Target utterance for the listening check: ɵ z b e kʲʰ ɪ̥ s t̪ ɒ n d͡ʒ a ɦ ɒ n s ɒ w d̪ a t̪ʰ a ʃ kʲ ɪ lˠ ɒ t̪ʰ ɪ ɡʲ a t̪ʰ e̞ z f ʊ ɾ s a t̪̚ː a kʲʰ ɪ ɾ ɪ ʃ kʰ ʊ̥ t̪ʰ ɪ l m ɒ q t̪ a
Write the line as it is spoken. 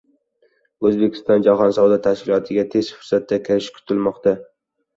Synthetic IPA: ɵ z b e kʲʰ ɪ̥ s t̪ ɒ n d͡ʒ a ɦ ɒ n s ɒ w d̪ a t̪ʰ a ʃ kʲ ɪ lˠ ɒ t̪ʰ ɪ ɡʲ a t̪ʰ e̞ z f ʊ ɾ s a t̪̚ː a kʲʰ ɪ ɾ ɪ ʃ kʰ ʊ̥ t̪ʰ ɪ l m ɒ q t̪ a